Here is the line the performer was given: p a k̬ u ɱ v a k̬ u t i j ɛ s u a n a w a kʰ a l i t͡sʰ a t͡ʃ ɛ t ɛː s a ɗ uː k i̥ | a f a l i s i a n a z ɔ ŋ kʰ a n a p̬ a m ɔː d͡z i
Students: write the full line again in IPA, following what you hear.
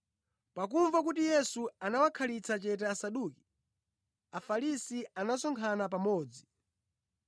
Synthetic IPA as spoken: p a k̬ u ɱ v a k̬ u t i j ɛ s u a n a w a kʰ a l i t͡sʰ a t͡ʃ ɛ t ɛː s a ɗ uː k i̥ | a f a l i s i a n a s ɔ ŋ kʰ a n a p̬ a m ɔː d͡z i